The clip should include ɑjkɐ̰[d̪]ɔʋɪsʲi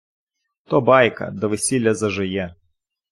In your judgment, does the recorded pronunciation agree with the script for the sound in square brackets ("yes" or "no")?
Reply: yes